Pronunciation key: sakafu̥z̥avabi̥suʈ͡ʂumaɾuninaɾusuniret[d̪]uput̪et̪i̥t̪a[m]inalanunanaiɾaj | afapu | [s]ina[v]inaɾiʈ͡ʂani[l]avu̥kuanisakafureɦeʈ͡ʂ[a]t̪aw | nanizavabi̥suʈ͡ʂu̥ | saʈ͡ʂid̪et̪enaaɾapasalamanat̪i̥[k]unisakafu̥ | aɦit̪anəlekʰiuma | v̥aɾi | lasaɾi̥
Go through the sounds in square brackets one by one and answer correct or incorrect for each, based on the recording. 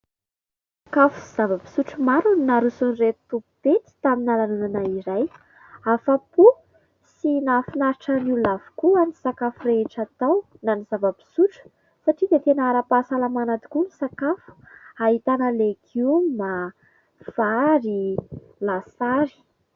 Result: incorrect: t̪, correct, correct, incorrect: f, correct, correct, correct

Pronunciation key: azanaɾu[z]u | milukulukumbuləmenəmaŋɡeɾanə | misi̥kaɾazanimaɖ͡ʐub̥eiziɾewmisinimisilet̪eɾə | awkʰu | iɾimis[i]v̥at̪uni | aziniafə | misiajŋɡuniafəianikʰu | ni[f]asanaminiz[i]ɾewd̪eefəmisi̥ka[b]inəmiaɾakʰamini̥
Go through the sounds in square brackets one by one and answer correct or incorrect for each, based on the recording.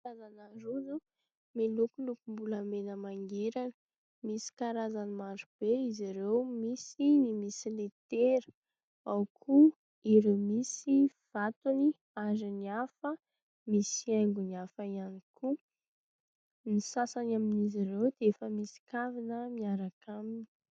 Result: correct, correct, incorrect: s, correct, incorrect: v

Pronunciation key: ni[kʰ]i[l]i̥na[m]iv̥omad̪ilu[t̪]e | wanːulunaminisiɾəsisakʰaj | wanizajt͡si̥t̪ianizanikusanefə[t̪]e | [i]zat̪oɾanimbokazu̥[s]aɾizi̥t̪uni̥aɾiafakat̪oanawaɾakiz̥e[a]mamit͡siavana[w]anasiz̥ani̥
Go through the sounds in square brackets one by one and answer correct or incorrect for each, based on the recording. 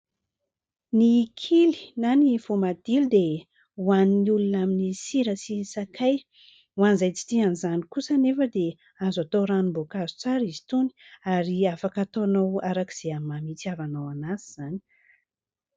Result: correct, correct, incorrect: n, incorrect: d̪, incorrect: d̪, incorrect: a, incorrect: t͡s, correct, correct

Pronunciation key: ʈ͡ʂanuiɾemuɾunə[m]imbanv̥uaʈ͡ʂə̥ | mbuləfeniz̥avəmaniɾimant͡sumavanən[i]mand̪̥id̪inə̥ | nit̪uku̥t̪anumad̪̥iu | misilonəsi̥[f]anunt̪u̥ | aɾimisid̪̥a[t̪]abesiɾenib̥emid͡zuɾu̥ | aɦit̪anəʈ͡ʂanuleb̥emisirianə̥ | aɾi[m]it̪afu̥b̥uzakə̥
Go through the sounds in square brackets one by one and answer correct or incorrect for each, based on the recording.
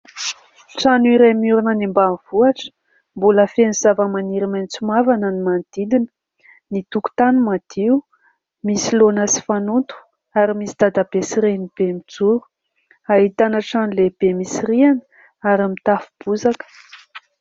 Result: incorrect: n, correct, correct, incorrect: d̪, correct

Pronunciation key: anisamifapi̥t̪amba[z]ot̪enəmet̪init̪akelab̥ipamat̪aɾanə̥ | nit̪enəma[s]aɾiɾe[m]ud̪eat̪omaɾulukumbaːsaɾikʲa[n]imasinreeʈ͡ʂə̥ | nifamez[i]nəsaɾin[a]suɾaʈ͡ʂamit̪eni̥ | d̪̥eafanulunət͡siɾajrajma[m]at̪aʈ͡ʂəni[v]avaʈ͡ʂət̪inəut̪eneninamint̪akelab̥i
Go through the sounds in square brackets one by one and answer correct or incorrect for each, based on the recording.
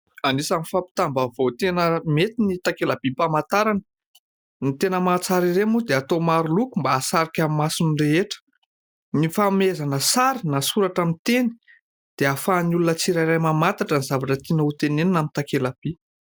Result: incorrect: v, incorrect: t͡s, correct, incorrect: m, incorrect: a, correct, correct, incorrect: z

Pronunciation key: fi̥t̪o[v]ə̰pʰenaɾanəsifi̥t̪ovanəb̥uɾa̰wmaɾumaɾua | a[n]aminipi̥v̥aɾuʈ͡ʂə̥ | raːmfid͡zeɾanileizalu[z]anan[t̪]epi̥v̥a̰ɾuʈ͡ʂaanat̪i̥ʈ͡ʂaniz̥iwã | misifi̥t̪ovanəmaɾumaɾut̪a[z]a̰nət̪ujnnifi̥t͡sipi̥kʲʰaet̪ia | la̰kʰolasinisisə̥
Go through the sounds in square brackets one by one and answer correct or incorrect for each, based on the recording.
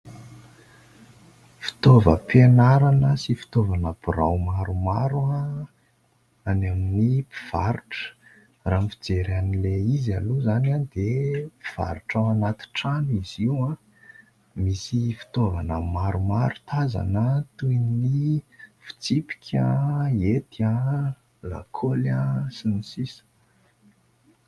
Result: correct, correct, correct, incorrect: d̪, correct

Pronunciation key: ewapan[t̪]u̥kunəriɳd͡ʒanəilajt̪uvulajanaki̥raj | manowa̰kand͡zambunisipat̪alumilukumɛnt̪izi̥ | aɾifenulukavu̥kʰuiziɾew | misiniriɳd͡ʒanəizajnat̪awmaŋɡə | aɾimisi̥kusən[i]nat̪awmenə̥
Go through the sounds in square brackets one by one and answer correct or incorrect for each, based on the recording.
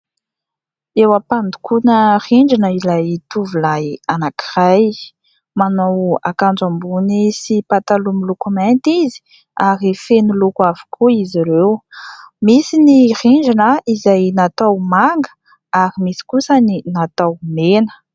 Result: incorrect: d̪, correct

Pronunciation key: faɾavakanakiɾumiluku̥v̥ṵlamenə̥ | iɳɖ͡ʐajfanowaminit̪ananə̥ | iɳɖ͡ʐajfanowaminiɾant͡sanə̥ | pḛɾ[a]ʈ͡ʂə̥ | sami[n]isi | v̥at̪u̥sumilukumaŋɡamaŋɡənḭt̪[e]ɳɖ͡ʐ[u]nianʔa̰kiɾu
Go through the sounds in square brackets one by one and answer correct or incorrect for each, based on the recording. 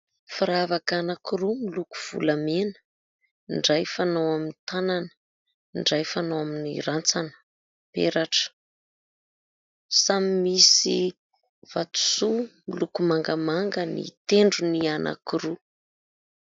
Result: correct, incorrect: m, correct, correct

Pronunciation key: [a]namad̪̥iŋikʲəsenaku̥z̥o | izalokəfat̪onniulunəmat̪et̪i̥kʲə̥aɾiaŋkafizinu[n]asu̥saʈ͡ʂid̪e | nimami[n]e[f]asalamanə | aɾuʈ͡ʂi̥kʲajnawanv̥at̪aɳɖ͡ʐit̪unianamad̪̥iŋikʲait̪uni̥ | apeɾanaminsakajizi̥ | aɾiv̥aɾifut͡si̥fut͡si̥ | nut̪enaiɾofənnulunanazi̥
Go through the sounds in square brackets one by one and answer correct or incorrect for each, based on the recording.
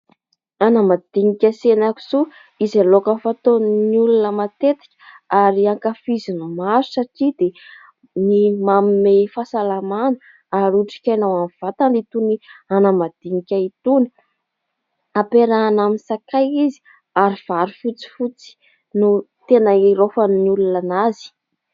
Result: correct, incorrect: m, incorrect: m, correct

